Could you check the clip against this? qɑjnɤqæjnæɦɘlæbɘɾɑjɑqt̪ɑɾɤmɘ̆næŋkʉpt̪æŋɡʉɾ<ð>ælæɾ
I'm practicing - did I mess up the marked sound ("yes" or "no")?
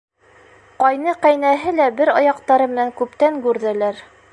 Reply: no